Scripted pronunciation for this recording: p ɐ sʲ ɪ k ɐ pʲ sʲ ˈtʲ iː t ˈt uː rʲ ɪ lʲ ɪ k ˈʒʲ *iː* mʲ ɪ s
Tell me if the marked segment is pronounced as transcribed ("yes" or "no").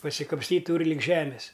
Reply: no